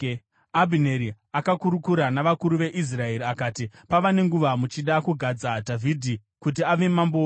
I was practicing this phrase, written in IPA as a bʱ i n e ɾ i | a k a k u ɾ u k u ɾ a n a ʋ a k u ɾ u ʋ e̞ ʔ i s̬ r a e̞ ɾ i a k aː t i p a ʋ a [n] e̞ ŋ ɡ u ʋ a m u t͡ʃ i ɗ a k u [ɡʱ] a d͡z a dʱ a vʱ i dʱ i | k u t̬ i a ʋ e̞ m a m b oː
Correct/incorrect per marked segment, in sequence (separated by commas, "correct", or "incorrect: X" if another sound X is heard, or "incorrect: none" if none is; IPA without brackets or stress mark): correct, correct